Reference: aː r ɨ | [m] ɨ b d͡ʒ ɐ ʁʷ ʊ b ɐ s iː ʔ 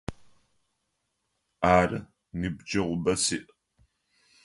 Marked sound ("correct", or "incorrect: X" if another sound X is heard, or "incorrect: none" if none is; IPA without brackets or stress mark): incorrect: n